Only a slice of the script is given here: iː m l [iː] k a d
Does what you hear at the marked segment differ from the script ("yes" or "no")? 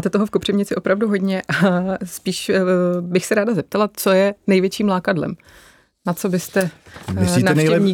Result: yes